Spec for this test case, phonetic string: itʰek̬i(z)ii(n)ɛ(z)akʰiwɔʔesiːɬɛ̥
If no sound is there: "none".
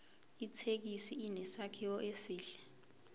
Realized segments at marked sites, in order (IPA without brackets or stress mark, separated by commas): s, n, s